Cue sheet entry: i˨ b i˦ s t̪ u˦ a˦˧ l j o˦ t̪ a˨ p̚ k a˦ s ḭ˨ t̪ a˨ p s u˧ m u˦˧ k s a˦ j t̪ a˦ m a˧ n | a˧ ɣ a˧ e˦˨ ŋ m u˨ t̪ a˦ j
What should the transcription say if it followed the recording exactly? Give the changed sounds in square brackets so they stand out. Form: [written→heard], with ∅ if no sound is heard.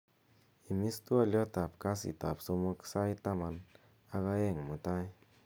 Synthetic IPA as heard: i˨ [b→m] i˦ s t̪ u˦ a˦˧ l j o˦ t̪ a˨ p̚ k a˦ s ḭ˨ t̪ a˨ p s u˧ m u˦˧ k s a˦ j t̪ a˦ m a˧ n | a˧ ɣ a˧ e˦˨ ŋ m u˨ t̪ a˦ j